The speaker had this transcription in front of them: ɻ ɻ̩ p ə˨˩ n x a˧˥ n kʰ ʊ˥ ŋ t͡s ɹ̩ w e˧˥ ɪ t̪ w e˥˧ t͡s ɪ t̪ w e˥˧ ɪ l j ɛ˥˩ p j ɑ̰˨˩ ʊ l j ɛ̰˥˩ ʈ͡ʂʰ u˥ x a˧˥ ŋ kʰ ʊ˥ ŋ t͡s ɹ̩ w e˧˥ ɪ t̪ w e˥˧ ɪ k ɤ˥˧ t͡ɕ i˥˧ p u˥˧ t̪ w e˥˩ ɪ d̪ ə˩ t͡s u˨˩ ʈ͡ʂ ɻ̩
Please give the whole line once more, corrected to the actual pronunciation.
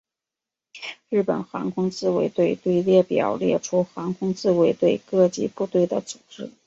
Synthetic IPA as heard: ɻ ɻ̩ p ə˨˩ n x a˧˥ ŋ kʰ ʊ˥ ŋ t͡s ɹ̩ w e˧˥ ɪ t̪ w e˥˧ ɪ t̪ w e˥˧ ɪ l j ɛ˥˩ p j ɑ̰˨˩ ʊ l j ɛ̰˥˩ ʈ͡ʂʰ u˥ x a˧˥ ŋ kʰ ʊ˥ ŋ t͡s ɹ̩ w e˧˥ ɪ t̪ w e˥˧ ɪ k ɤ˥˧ t͡ɕ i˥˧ p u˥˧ t̪ w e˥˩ ɪ d̪ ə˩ t͡s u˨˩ ʈ͡ʂ ɻ̩

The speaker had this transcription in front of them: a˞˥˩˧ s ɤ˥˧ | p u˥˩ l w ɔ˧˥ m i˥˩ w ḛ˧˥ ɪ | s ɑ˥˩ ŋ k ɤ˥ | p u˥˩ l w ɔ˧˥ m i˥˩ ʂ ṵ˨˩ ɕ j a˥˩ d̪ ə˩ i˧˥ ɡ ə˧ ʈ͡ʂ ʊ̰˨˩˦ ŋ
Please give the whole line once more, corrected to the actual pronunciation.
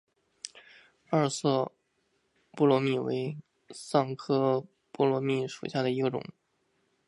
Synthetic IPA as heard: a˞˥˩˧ s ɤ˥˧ | p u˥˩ l w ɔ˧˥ m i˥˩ w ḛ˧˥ ɪ | s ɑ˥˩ ŋ kʰ ɤ˥ | p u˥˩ l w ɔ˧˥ m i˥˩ ʂ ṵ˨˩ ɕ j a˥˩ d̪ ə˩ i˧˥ ɡ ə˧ ʈ͡ʂ ʊ̰˨˩˦ ŋ

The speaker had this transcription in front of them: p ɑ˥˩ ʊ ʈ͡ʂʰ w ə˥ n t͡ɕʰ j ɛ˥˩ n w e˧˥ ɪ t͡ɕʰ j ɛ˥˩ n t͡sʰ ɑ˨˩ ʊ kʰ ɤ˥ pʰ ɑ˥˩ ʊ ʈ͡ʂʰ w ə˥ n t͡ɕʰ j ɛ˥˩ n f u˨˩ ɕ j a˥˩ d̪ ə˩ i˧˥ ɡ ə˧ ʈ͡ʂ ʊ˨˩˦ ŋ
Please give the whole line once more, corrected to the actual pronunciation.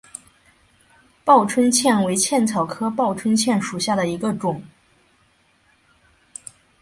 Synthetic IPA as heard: p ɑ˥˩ ʊ ʈ͡ʂʰ w ə˥ n t͡ɕʰ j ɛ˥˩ n w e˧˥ ɪ t͡ɕʰ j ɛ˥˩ n t͡sʰ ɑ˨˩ ʊ kʰ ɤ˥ p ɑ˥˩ ʊ ʈ͡ʂʰ w ə˥ n t͡ɕʰ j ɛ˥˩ n ʂ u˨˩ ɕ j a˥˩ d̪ ə˩ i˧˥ ɡ ə˧ ʈ͡ʂ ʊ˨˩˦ ŋ

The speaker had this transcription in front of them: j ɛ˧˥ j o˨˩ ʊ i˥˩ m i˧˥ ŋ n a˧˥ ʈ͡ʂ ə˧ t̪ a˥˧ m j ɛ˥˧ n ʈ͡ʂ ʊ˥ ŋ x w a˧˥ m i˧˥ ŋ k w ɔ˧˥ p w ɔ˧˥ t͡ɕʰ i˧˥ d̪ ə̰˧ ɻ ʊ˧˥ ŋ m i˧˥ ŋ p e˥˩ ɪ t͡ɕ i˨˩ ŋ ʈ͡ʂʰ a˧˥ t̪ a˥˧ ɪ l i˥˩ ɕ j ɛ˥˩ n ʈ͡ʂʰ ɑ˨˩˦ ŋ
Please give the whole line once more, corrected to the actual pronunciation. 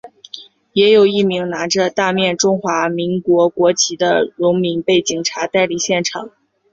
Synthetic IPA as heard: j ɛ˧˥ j o˨˩ ʊ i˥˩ m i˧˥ ŋ n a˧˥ ʈ͡ʂ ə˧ t̪ a˥˧ m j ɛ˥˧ n ʈ͡ʂ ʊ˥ ŋ x w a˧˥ m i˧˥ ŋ k w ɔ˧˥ k w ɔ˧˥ t͡ɕʰ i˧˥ d̪ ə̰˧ ɻ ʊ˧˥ ŋ m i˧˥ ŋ p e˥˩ ɪ t͡ɕ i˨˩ ŋ ʈ͡ʂʰ a˧˥ t̪ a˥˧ ɪ l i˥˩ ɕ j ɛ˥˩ n ʈ͡ʂʰ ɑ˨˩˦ ŋ

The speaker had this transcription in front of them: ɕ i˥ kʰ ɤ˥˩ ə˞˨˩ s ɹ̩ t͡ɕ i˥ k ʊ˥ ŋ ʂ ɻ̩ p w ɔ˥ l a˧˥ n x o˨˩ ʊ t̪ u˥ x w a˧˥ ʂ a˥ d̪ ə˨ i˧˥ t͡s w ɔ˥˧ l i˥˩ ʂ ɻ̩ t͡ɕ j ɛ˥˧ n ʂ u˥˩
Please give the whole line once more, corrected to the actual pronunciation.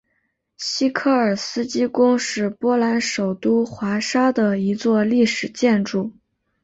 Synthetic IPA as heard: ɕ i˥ kʰ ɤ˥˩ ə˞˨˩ s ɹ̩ t͡ɕ i˥ k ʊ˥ ŋ ʂ ɻ̩ p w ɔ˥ l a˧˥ n ʂ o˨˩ ʊ t̪ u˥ x w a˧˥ ʂ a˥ d̪ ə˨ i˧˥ t͡s w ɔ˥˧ l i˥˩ ʂ ɻ̩ t͡ɕ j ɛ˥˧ n ʈ͡ʂ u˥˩

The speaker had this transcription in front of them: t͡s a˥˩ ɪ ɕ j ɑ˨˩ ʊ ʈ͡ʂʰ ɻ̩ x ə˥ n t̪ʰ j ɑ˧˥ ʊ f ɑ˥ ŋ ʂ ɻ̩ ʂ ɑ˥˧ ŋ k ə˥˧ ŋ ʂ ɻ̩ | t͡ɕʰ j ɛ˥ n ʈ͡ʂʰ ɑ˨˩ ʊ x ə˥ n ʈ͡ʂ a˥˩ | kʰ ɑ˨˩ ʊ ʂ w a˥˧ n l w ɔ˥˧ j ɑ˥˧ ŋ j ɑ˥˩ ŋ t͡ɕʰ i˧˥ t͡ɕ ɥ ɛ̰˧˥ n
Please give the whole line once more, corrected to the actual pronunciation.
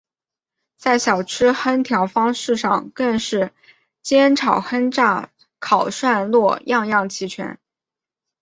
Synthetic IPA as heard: t͡s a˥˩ ɪ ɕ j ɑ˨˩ ʊ ʈ͡ʂʰ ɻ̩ x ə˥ n t̪ʰ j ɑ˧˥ ʊ f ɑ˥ ŋ ʂ ɻ̩ ʂ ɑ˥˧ ŋ k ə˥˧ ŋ ʂ ɻ̩ | t͡ɕ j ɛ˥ n ʈ͡ʂʰ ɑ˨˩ ʊ x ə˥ n ʈ͡ʂ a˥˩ | kʰ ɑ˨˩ ʊ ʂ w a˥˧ n l w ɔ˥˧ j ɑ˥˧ ŋ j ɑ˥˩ ŋ t͡ɕʰ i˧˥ t͡ɕʰ ɥ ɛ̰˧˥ n

